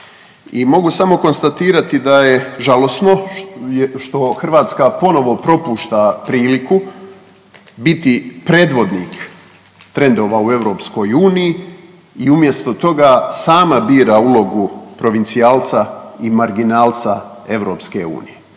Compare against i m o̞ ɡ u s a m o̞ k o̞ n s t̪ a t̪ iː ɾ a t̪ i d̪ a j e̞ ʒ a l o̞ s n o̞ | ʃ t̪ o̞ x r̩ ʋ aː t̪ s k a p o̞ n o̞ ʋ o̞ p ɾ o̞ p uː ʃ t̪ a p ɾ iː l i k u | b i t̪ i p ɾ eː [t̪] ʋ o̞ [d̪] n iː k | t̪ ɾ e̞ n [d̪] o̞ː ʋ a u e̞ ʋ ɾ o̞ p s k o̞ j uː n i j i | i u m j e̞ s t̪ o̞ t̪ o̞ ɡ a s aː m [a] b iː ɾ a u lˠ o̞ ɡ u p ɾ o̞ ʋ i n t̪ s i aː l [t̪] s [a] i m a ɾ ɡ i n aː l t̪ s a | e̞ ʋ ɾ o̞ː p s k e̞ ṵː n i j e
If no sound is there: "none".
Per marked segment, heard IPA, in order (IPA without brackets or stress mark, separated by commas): d̪, d̪, d̪, a, t̪, a